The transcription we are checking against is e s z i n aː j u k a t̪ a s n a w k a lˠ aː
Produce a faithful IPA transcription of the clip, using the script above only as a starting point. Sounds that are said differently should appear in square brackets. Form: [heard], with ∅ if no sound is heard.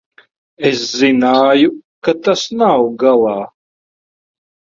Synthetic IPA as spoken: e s z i n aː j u k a t̪ a s n a w [ɡ] a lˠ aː